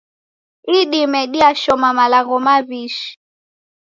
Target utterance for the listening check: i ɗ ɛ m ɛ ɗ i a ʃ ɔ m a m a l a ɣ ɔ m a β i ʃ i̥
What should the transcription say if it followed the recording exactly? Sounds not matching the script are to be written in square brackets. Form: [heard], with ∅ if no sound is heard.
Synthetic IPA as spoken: i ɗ [i] m ɛ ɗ i a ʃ ɔ m a m a l a ɣ ɔ m a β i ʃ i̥